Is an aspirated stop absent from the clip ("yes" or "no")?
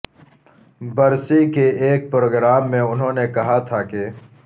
no